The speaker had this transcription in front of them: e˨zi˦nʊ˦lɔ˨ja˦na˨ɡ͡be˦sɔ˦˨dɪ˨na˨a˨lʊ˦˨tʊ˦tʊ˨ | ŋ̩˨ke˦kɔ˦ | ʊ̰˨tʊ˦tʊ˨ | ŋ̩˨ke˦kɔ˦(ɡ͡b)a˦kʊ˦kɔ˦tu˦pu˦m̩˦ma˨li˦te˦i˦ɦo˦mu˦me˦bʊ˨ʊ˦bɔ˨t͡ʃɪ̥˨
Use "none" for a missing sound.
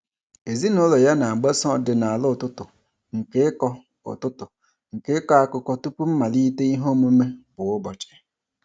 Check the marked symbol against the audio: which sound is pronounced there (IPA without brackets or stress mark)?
none